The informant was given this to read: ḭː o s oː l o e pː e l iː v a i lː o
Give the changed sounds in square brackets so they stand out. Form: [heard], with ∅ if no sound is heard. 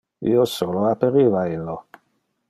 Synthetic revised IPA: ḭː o s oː l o [a] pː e [ɾ] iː v a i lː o